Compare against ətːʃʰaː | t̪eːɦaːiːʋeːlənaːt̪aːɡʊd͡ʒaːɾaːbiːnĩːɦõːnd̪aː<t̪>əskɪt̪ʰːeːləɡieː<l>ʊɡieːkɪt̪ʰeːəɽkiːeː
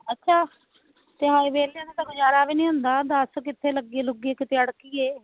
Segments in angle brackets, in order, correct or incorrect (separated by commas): incorrect, correct